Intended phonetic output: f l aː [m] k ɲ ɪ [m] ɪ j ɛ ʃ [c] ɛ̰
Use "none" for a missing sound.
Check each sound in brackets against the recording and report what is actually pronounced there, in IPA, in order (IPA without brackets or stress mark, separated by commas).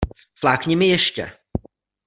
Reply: none, m, c